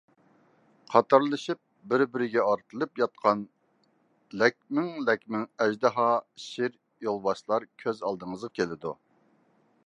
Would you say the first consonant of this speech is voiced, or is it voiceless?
voiceless